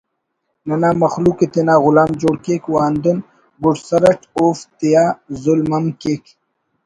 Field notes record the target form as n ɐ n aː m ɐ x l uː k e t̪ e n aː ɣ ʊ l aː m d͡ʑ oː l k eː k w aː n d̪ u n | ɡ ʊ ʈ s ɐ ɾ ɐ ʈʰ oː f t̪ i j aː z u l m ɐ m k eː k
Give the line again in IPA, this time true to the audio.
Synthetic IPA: n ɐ n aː m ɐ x l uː k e t̪ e n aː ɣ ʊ l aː m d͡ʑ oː ɽ k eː k w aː n d̪ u n | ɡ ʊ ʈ s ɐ ɾ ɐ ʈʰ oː f t̪ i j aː z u l m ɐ m k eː k